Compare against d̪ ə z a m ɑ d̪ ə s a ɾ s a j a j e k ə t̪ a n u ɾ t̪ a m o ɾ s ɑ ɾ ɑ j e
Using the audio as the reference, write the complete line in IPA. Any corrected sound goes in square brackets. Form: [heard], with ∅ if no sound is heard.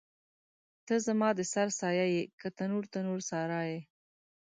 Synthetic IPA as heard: [t̪] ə z a m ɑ d̪ ə s a ɾ s [ɑ] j a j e k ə t̪ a n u ɾ t̪ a [n] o ɾ s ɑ ɾ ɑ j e